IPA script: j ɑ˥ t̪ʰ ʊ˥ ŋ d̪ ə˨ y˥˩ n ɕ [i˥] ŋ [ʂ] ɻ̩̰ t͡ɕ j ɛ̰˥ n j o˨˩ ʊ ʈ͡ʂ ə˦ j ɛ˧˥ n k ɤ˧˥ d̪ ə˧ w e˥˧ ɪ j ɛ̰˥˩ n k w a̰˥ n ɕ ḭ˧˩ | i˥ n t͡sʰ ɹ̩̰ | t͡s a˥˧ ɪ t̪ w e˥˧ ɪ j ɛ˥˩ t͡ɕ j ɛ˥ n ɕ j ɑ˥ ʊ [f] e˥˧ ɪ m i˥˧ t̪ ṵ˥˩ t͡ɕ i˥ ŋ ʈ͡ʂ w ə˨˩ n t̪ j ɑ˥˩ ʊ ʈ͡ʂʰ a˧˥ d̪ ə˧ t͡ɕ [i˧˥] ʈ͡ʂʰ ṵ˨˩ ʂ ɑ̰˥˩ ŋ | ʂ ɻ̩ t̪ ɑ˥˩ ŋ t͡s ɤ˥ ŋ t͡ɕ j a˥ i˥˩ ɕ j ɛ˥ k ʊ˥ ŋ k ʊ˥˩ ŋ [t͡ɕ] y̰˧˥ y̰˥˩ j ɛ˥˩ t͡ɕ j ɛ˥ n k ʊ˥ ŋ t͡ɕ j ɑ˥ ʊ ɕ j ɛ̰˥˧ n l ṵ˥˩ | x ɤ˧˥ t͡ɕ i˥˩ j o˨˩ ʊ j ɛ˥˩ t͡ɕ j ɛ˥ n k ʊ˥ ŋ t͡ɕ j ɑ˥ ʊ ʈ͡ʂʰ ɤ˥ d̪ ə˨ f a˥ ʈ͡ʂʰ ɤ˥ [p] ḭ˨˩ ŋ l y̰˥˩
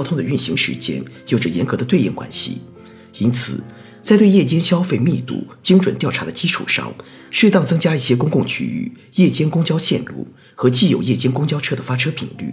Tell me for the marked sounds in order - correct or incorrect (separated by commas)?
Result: incorrect, correct, correct, incorrect, incorrect, incorrect